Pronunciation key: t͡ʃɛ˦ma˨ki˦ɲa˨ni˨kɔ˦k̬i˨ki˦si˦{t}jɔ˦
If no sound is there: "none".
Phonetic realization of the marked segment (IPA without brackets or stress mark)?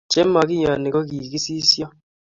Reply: s